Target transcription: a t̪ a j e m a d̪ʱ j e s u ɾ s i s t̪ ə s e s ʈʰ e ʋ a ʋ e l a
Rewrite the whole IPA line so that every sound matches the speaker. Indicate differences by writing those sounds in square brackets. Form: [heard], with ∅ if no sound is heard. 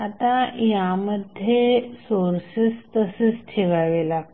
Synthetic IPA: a t̪ a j [a] m [ə] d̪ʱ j e s [o] ɾ s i s t̪ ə s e s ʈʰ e ʋ a ʋ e l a